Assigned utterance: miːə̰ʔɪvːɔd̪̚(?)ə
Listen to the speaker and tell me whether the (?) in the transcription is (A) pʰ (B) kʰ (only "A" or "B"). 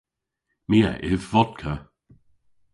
B